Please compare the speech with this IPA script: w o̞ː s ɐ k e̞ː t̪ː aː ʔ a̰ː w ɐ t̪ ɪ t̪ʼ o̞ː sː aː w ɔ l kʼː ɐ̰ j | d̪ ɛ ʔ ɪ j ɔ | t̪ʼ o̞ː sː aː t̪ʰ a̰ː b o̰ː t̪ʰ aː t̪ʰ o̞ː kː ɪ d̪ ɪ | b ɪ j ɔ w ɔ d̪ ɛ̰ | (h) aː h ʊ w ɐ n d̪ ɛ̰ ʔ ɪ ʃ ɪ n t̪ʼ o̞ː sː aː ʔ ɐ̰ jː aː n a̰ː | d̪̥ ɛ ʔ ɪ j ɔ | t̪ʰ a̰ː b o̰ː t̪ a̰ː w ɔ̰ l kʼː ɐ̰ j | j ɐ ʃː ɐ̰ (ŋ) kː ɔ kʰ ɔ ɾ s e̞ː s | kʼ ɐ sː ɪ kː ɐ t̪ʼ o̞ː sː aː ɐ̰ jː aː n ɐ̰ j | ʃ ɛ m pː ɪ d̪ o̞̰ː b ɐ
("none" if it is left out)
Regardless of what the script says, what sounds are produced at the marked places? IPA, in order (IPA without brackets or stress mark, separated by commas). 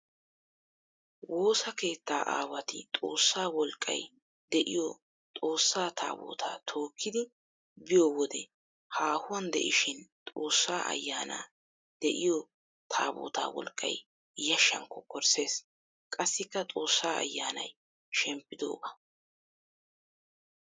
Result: h, ŋ